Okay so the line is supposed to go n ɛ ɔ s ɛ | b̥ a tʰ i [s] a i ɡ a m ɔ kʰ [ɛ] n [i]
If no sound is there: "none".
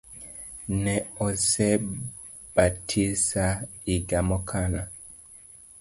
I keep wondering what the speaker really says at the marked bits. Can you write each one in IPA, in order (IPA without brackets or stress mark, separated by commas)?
s, a, a